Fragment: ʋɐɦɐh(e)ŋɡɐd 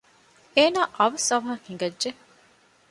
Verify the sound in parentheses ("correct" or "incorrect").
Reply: incorrect